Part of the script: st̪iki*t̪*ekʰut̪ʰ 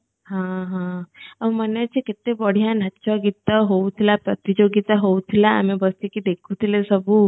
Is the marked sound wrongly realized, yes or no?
yes